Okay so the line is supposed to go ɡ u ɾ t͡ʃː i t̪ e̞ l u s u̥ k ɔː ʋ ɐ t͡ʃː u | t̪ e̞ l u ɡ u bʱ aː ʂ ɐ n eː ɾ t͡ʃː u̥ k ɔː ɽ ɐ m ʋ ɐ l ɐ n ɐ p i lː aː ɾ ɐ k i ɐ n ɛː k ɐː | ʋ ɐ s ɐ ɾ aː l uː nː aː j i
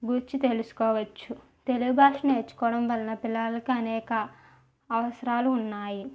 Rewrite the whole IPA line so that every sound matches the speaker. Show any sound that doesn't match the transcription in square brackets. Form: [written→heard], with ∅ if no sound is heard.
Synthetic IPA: ɡ u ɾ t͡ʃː i t̪ e̞ l u s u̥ k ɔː ʋ ɐ t͡ʃː u | t̪ e̞ l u ɡ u bʱ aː ʂ ɐ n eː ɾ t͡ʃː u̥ k ɔː ɽ ɐ m ʋ ɐ l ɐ n ɐ p i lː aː [ɾ→l] ɐ k i ɐ n ɛː k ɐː | ʋ ɐ s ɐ ɾ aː l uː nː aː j i

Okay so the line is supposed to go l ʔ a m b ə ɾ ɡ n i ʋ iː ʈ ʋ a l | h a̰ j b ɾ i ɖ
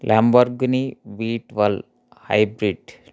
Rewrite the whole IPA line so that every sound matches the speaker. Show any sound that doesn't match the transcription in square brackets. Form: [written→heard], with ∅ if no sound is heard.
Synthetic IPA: l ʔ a m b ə ɾ ɡ n i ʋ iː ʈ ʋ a l | h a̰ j b ɾ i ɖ

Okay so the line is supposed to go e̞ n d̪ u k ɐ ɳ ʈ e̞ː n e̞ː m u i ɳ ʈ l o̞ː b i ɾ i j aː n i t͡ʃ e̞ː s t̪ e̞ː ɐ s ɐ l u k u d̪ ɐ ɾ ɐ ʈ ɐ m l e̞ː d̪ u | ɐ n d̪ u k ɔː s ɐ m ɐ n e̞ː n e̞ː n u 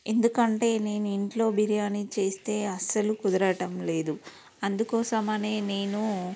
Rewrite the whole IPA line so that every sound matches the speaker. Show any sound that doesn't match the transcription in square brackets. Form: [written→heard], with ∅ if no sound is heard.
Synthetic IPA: e̞ n d̪ u k ɐ ɳ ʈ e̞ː n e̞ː [m→n] u i ɳ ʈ l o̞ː b i ɾ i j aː n i t͡ʃ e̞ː s t̪ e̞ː ɐ s ɐ l u k u d̪ ɐ ɾ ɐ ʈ ɐ m l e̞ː d̪ u | ɐ n d̪ u k ɔː s ɐ m ɐ n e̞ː n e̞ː n u

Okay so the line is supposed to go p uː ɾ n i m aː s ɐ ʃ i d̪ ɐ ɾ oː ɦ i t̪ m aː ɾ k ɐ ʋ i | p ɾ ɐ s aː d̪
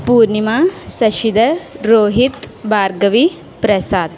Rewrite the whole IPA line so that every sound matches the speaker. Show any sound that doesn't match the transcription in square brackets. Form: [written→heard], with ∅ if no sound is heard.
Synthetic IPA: p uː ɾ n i m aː s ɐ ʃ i d̪ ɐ ɾ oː ɦ i t̪ [m→b] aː ɾ [k→ɡ] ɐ ʋ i | p ɾ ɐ s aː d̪

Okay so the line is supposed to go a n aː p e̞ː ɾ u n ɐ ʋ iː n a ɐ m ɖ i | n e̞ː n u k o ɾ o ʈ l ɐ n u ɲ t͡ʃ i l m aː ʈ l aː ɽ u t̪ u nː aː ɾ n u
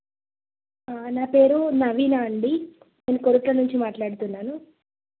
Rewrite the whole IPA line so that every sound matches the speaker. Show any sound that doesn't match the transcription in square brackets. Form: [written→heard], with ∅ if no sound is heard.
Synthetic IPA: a n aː p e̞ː ɾ u n ɐ ʋ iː n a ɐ [m→ɳ] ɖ i | n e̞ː n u k o ɾ [o→u] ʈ l ɐ n u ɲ t͡ʃ i [l→∅] m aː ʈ l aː ɽ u t̪ u nː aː [ɾ→∅] n u

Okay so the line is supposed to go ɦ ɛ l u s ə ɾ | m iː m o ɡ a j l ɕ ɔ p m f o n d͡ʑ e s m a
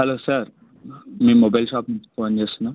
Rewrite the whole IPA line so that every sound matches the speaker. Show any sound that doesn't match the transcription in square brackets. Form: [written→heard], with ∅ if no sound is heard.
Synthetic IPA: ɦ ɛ l [u→o] s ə ɾ | m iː m o [ɡ→b] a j l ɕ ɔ p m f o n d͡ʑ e s [m→n] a

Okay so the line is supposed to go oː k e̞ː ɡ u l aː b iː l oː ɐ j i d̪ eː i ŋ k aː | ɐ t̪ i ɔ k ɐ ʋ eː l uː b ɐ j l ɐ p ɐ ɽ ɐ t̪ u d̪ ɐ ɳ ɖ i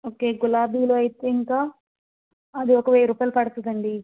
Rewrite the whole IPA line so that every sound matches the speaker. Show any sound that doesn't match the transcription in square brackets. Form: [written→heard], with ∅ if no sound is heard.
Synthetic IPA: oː k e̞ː ɡ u l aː b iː l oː ɐ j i [d̪→t̪] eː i ŋ k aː | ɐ [t̪→d̪] i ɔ k ɐ ʋ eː [l→ɾ] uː [b→p] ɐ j l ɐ p ɐ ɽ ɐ t̪ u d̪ ɐ ɳ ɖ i

